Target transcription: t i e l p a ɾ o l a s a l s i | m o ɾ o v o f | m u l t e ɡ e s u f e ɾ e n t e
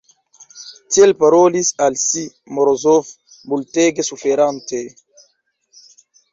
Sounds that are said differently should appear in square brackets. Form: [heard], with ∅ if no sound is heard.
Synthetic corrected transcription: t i e l p a ɾ o l [i] s a l s i | m o ɾ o [z] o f | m u l t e ɡ e s u f e ɾ [a] n t e